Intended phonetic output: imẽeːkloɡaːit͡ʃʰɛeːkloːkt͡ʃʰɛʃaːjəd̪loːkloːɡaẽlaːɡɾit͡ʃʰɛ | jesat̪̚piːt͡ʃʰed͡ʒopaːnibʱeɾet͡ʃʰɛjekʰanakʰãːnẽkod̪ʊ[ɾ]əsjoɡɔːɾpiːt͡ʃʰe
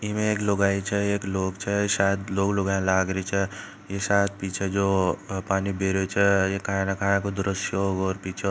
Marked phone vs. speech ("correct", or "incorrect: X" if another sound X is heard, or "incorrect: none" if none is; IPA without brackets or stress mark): correct